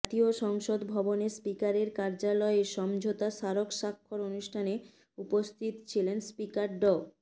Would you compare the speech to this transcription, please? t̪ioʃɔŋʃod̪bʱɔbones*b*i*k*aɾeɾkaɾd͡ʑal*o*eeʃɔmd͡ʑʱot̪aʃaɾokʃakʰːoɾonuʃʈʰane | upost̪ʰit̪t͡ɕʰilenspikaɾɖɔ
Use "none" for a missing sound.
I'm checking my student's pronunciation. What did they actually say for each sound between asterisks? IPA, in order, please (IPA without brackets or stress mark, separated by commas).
p, k, ɔ